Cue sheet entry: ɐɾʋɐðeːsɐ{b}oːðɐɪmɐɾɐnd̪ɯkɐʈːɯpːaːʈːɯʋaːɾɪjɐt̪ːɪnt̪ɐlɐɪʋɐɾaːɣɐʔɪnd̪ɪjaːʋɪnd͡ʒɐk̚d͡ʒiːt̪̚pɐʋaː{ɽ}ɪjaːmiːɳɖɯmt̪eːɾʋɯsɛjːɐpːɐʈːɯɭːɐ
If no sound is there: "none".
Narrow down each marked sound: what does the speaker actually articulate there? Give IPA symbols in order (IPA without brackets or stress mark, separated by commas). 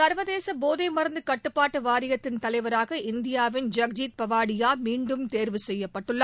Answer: b, ɽ